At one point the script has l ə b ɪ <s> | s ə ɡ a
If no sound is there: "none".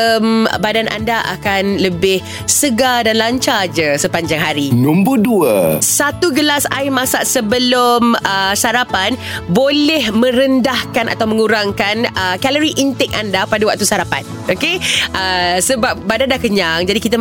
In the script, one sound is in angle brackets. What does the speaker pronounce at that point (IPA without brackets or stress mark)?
h